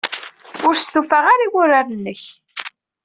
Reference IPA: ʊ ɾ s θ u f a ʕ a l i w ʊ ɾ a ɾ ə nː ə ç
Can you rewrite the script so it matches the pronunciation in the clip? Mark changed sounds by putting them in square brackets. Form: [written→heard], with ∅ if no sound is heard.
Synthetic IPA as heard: ʊ ɾ s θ u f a [ʕ→ʁ] a [l→ɾ] i w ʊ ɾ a ɾ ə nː ə ç